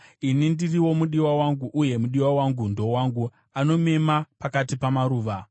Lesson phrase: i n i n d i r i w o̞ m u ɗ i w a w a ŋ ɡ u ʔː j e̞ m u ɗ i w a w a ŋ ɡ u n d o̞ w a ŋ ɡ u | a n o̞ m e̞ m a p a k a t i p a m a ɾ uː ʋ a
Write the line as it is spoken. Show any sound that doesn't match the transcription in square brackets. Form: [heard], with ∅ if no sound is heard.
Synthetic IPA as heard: i n i n d i r i w o̞ m u ɗ i w a w a ŋ ɡ u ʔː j e̞ m u ɗ i w a w a ŋ ɡ u n d o̞ w a ŋ ɡ u | a n o̞ m e̞ m a p a k a t i p a m a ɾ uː ʋ a